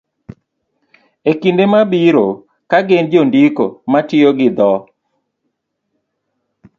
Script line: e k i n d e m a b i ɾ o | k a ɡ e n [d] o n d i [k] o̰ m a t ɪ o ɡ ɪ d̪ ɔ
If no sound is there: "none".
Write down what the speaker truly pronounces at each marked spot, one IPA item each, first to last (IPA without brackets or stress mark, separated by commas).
d͡ʒ, k